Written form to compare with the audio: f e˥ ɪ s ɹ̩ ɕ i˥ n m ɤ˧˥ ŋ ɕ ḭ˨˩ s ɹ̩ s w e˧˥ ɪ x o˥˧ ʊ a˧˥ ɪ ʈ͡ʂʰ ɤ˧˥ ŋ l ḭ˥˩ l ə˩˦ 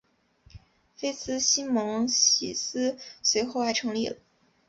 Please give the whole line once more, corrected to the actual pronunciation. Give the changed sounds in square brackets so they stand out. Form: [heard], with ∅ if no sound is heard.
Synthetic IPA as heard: f e˥ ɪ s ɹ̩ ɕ i˥ n m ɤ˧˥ ŋ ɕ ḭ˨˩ s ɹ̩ s w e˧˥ ɪ x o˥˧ ʊ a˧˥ ɪ ʈ͡ʂʰ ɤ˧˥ ŋ l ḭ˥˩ l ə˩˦